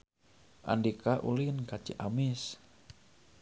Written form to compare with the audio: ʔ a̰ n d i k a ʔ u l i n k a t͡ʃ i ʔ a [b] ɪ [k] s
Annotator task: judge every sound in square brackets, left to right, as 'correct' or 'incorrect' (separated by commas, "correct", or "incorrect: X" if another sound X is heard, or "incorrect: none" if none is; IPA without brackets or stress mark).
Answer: incorrect: m, incorrect: none